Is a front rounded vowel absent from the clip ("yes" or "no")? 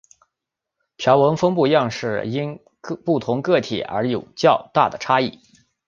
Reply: yes